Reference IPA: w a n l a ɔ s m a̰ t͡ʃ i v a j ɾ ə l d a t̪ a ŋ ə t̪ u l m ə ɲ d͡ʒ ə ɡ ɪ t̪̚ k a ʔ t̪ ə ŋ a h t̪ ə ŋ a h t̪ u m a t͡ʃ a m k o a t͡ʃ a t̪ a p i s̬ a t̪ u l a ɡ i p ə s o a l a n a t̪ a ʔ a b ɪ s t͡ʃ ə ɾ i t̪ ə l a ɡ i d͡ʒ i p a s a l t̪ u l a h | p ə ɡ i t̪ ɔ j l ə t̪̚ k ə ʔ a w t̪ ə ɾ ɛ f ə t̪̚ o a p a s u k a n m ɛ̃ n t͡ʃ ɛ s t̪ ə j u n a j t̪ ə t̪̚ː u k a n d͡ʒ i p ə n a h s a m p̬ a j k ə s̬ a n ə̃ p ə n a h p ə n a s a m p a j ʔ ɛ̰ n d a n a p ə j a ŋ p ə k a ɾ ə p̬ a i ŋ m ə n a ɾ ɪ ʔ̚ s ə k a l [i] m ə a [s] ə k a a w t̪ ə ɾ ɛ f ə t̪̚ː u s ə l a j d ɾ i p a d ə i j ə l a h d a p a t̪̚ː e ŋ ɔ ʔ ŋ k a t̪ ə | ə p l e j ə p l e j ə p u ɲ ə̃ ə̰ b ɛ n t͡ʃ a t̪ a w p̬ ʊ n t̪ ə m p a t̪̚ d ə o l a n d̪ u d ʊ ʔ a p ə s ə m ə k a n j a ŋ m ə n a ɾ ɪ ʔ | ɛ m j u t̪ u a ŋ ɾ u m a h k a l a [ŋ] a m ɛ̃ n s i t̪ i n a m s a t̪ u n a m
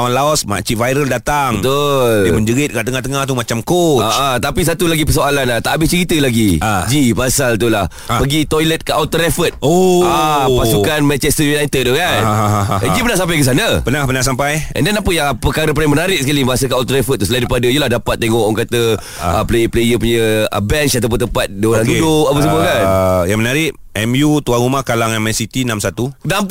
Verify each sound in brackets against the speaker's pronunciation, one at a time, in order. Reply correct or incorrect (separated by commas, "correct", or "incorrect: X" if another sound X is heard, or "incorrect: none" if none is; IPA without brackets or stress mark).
correct, correct, correct